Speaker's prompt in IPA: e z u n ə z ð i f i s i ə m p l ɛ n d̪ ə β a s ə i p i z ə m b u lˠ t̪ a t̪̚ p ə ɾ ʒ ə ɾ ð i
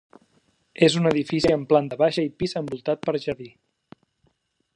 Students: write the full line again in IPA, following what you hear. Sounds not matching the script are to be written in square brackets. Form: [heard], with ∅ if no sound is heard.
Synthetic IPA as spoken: e z u n ə [∅] ð i f i s i ə m p l [a] n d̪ ə β a [ʃ] ə i p i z ə m b u lˠ t̪ a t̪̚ p ə ɾ ʒ ə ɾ ð i